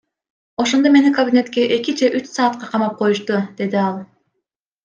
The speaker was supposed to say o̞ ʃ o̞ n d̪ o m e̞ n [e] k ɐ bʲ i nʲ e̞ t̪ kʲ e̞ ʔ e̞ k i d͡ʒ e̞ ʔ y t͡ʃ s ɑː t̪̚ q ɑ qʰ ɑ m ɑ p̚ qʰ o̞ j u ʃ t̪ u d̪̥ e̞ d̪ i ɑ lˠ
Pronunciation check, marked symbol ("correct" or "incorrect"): incorrect